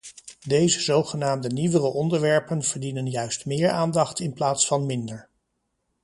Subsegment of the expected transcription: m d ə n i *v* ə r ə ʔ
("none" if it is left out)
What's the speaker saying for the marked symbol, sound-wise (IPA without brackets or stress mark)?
ʋ